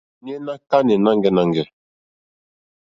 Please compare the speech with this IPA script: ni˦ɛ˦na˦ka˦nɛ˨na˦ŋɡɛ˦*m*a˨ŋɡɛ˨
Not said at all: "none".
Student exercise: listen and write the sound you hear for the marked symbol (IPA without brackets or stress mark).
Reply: n